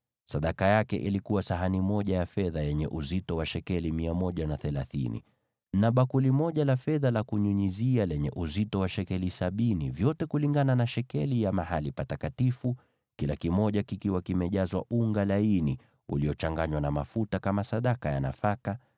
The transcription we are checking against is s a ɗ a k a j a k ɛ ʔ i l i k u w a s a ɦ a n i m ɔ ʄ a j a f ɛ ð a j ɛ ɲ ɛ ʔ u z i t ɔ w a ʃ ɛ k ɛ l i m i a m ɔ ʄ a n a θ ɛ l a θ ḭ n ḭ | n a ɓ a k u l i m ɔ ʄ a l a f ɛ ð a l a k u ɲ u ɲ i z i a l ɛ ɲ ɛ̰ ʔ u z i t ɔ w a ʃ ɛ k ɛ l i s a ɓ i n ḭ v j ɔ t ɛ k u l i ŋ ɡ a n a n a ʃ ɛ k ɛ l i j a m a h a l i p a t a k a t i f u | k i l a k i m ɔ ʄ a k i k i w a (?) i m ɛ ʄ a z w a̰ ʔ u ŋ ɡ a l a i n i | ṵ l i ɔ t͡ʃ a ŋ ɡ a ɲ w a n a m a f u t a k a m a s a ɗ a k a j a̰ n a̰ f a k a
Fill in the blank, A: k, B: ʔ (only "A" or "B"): A